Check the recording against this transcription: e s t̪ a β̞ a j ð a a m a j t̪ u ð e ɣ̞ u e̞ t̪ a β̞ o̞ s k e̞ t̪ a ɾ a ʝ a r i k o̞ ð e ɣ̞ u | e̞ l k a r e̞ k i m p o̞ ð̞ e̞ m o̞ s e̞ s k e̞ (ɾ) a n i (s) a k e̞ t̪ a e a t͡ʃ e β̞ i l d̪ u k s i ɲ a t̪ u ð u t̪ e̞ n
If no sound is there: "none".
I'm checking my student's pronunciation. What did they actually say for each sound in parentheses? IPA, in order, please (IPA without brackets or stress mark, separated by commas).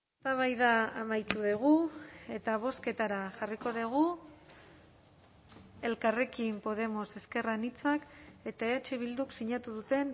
r, t͡s